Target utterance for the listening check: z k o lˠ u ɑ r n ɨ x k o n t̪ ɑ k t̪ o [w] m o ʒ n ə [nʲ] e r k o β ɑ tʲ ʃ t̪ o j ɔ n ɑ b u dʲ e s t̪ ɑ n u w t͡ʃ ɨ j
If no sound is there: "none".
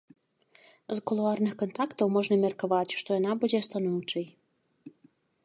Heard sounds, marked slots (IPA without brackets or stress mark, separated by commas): w, mʲ